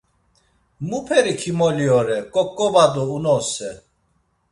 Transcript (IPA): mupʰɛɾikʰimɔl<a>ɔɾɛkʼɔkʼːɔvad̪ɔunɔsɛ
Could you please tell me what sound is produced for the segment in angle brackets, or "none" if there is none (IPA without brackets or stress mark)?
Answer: i